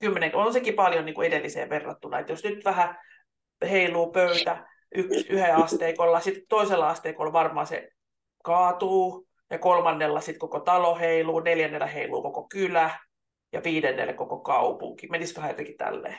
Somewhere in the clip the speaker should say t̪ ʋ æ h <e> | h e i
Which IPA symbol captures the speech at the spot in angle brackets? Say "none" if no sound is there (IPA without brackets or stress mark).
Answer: æ